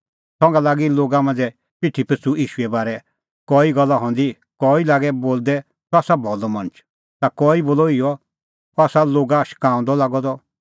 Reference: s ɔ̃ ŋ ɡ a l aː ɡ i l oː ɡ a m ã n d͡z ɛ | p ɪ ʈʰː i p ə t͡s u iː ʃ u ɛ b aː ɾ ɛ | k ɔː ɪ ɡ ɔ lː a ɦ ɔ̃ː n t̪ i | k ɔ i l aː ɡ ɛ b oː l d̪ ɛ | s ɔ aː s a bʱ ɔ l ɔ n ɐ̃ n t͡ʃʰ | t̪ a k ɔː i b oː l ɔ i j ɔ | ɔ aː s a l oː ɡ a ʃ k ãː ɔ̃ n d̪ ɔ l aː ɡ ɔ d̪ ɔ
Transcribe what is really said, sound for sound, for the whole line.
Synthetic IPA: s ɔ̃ ŋ ɡ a l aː ɡ i l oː ɡ a m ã n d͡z ɛ | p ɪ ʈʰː i p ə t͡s u iː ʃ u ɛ b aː ɾ ɛ | k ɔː i ɡ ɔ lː a ɦ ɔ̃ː n d̪ i | k ɔ i l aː ɡ ɛ b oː l d̪ ɛ | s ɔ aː s a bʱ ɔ l ɔ m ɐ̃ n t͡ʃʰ | t̪ a k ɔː i b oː l ɔ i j ɔ | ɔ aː s a l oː ɡ a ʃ k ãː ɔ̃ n d̪ ɔ l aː ɡ ɔ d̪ ɔ